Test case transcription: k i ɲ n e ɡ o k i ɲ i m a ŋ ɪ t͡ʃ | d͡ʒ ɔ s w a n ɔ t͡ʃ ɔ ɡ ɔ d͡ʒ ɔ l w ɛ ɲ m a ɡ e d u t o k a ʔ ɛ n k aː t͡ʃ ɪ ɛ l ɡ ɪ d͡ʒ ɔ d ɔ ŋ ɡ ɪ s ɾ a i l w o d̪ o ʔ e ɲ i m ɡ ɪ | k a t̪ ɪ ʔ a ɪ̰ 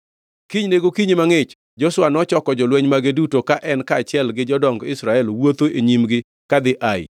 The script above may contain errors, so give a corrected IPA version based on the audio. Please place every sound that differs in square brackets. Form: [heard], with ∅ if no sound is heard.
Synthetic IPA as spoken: k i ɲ n e ɡ o k i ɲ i m a ŋ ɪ t͡ʃ | d͡ʒ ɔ s w a n ɔ t͡ʃ ɔ [k] ɔ d͡ʒ ɔ l w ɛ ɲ m a ɡ e d u t o k a ʔ ɛ n k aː t͡ʃ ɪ ɛ l ɡ ɪ d͡ʒ ɔ d ɔ ŋ ɡ ɪ s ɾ a [ɛ] l w o [t̪] o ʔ e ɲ i m ɡ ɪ | k a [d̪] ɪ ʔ a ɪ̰